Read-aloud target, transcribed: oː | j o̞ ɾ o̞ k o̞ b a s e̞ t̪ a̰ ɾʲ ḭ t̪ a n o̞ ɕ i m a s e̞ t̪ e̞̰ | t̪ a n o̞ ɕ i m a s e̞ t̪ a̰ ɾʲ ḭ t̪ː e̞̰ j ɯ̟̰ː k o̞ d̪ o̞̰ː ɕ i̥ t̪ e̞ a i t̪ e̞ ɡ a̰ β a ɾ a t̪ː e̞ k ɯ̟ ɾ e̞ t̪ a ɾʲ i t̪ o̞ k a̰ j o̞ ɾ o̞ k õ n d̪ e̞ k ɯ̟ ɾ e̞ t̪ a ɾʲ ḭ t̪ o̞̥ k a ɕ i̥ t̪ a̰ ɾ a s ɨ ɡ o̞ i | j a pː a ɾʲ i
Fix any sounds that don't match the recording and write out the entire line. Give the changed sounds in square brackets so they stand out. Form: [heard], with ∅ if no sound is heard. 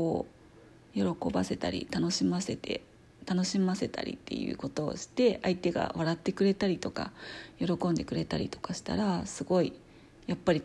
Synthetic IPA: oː | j o̞ ɾ o̞ k o̞ b a s e̞ t̪ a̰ ɾʲ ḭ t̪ a n o̞ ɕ i m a s e̞ t̪ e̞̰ | t̪ a n o̞ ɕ i m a s e̞ t̪ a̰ ɾʲ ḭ t̪ː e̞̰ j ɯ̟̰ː k o̞ [t̪] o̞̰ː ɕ i̥ t̪ e̞ a i t̪ e̞ ɡ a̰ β a ɾ a t̪ː e̞ k ɯ̟ ɾ e̞ t̪ a ɾʲ i t̪ o̞ k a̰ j o̞ ɾ o̞ k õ n d̪ e̞ k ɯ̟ ɾ e̞ t̪ a ɾʲ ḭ t̪ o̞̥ k a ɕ i̥ t̪ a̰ ɾ a s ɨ ɡ o̞ i | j a pː a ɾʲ i